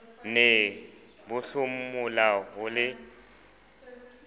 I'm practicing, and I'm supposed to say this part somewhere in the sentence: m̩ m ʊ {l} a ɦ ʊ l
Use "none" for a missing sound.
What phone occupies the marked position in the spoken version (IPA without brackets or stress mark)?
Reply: l